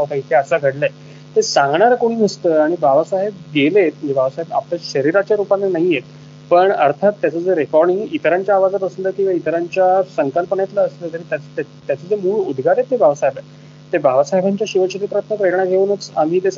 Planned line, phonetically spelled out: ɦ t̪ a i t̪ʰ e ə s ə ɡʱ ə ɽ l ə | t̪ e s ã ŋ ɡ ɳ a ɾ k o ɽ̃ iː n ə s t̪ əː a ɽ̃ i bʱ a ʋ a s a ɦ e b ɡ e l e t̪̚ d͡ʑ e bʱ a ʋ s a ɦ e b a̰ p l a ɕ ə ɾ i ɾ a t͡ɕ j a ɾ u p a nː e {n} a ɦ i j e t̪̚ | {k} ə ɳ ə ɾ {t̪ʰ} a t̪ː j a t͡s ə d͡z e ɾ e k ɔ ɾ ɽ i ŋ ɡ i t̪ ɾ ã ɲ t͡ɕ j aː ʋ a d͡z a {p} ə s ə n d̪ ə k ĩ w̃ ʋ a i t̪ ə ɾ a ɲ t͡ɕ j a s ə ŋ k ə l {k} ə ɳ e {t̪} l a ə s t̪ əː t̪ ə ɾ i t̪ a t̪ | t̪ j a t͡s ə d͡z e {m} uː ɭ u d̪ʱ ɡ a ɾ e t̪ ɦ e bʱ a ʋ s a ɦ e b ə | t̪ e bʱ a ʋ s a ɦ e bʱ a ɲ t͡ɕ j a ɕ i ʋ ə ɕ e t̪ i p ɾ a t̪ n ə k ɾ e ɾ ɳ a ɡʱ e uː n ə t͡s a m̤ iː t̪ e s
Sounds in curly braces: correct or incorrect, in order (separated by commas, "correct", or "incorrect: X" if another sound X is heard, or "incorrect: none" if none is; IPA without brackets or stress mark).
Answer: correct, incorrect: p, correct, correct, incorrect: p, correct, correct